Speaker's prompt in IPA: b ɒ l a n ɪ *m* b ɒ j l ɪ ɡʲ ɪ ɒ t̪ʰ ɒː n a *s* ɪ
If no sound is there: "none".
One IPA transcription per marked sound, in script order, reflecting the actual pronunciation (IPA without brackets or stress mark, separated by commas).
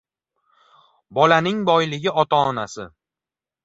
ŋ, s